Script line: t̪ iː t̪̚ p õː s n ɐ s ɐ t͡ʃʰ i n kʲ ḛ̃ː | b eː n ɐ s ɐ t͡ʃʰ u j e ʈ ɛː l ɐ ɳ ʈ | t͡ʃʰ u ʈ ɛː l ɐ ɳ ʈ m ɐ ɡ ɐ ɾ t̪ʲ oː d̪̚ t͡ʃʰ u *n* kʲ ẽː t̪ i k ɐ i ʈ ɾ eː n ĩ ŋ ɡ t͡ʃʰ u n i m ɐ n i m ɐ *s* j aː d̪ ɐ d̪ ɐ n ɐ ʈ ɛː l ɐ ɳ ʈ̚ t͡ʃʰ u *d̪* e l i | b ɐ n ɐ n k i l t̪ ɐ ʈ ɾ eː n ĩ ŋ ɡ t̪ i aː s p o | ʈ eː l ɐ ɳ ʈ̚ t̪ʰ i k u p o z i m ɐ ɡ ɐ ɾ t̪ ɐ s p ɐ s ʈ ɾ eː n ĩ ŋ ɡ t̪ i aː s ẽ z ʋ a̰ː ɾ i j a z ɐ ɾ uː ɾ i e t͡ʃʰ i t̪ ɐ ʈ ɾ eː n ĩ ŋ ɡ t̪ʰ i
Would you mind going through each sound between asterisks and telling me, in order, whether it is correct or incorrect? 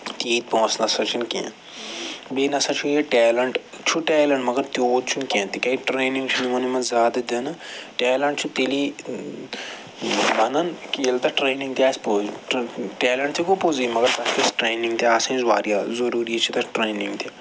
correct, incorrect, incorrect

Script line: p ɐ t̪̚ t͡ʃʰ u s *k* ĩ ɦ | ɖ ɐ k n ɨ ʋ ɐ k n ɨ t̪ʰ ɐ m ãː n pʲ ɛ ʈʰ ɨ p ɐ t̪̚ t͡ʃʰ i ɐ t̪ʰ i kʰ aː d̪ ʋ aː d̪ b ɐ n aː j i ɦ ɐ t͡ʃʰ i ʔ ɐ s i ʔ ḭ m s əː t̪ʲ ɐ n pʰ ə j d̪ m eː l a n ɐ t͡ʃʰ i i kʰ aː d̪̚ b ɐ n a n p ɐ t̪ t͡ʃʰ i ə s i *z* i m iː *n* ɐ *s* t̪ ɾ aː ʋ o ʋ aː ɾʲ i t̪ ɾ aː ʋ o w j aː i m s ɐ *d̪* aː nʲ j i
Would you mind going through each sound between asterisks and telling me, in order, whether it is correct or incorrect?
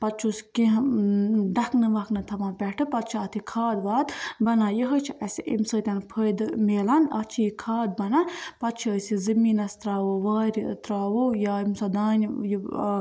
correct, correct, correct, correct, correct

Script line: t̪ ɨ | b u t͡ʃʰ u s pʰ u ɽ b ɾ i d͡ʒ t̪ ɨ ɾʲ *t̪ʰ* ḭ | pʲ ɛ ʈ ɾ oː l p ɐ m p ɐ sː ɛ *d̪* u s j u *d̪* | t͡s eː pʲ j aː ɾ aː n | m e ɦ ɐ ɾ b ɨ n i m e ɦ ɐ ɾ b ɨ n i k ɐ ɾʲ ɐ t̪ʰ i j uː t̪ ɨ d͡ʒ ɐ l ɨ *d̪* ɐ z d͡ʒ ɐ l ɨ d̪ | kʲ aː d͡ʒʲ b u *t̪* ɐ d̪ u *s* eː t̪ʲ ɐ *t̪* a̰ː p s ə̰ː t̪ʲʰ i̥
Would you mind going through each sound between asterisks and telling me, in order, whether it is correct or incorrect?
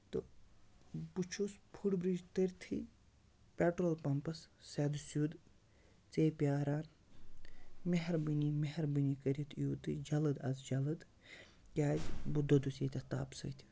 correct, correct, correct, correct, incorrect, correct, correct

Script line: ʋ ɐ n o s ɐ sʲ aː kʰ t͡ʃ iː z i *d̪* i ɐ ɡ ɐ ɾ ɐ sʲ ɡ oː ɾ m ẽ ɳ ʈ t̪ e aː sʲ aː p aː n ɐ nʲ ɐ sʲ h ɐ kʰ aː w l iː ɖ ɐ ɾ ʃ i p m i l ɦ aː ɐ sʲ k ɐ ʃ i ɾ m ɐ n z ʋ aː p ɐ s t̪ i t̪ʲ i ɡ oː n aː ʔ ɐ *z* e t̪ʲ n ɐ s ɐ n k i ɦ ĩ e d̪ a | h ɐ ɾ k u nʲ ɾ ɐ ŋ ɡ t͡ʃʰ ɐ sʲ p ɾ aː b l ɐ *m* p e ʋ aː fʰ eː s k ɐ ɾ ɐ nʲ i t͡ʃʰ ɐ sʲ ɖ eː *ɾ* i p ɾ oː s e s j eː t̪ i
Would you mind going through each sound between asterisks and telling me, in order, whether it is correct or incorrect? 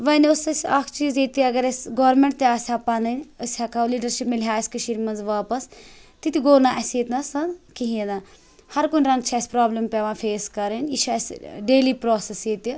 incorrect, incorrect, correct, incorrect

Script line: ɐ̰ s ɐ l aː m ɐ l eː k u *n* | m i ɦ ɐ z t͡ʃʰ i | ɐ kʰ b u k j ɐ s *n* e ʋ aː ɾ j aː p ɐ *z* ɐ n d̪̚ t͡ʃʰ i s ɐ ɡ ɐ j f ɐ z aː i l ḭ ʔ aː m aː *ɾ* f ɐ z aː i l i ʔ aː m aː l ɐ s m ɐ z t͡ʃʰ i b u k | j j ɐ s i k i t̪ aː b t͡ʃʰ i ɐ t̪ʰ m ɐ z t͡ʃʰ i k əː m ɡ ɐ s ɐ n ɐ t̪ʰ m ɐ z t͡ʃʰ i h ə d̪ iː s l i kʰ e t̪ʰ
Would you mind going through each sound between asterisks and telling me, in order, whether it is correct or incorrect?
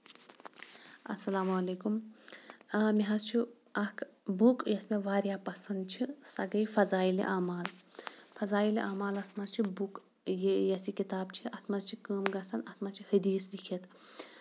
incorrect, incorrect, incorrect, incorrect

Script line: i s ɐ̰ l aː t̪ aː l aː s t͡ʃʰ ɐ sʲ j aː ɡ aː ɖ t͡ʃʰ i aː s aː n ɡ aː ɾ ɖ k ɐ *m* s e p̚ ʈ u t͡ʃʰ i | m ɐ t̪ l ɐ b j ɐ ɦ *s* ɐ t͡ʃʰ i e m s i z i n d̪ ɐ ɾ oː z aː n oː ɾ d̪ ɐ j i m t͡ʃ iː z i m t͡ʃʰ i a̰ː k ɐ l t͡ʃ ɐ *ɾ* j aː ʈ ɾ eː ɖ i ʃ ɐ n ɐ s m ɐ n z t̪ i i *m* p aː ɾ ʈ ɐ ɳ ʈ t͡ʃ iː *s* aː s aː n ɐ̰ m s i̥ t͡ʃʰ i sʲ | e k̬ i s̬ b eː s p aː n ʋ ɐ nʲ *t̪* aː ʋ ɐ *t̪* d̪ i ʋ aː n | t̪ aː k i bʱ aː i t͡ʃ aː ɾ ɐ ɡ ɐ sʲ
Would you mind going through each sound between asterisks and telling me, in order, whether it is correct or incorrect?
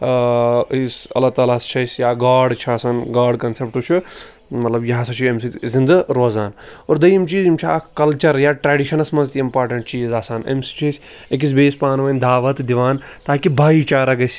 incorrect, correct, correct, correct, incorrect, incorrect, correct

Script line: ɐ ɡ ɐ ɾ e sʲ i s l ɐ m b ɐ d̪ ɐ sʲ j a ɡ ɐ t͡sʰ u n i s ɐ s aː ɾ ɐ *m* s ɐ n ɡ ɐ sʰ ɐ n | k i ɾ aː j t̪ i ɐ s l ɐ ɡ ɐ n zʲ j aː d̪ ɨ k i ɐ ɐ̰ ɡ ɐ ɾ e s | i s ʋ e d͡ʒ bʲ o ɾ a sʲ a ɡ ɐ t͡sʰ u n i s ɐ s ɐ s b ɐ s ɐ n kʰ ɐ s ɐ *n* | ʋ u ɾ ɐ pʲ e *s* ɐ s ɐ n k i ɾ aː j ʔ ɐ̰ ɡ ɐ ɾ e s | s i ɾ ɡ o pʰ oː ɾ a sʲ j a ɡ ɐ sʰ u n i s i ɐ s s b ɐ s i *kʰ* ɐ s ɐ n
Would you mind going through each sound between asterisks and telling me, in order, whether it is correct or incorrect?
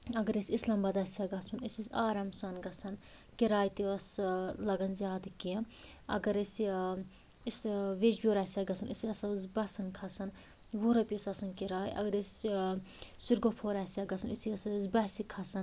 correct, correct, correct, correct

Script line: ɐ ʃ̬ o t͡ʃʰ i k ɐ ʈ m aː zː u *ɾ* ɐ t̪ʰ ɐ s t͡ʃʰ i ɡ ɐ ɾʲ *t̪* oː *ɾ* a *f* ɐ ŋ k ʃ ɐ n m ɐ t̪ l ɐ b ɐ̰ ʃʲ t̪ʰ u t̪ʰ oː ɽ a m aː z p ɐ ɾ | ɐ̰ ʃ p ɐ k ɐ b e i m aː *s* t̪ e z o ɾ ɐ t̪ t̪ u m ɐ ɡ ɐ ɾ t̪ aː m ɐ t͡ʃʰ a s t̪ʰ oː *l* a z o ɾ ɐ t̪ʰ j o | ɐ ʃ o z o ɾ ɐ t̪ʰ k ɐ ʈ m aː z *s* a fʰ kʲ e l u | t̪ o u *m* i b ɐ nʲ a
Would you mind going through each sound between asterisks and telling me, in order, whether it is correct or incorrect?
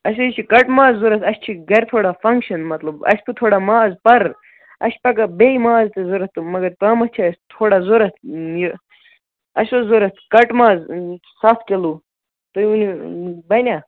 correct, incorrect, incorrect, correct, incorrect, incorrect, correct, incorrect

